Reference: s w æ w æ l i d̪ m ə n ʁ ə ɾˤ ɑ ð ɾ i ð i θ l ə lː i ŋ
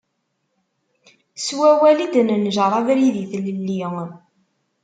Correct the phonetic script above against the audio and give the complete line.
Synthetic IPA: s w æ w æ l i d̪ n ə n ʒ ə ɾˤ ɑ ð ɾ i ð i θ l ə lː i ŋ

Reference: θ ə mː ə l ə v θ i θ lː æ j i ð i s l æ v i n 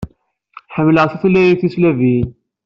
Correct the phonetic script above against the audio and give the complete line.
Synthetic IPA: ħ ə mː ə l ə ʁ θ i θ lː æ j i θ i s l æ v i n

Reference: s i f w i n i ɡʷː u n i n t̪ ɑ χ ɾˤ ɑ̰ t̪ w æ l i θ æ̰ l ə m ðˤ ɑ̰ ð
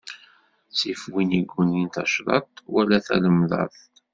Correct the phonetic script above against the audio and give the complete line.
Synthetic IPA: s i f w i n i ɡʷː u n i n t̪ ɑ ʃ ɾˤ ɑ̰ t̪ w æ l æ θ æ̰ l ə m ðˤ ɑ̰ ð

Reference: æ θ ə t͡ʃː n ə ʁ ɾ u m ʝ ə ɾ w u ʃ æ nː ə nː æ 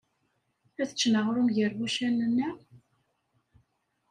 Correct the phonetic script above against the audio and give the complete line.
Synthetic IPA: æ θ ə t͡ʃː n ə ʁ ɾ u m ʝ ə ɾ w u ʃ æ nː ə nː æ

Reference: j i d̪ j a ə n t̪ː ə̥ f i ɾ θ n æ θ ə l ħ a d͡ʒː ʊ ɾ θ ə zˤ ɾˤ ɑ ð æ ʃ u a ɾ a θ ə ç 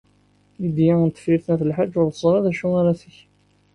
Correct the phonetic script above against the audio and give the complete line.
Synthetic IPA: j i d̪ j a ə n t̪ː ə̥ f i ɾ θ n æ θ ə l ħ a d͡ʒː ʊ ɾ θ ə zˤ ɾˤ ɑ ð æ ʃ u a ɾ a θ ə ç

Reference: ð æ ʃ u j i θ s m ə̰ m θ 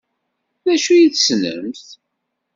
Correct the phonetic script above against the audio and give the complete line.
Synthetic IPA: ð æ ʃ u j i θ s n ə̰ m θ

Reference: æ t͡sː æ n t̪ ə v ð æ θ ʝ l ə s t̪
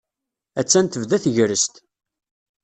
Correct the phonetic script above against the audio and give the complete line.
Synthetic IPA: æ t͡sː æ n t̪ ə v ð æ θ ʝ ɾ ə s t̪

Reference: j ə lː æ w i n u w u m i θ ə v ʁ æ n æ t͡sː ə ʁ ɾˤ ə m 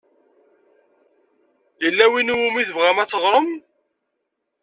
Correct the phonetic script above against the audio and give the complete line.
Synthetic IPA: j ə lː æ w i n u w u m i θ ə v ʁ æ m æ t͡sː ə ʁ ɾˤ ə m

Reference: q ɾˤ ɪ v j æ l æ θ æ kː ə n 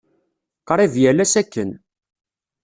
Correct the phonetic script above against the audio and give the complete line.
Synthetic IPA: q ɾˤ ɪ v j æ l æ s æ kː ə n

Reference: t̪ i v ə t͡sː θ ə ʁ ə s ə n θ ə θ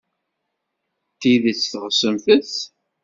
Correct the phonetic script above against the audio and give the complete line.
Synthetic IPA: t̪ i ð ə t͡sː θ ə ʁ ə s ə m θ ə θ

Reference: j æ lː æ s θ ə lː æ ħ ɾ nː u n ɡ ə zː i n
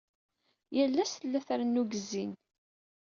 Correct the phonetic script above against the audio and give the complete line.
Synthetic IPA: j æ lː æ s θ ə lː æ θ ɾ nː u ɡ ə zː i n

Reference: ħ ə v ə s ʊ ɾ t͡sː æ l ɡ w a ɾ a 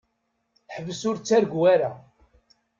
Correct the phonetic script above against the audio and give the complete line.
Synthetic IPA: ħ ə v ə s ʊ ɾ t͡sː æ ɾ ɡ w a ɾ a

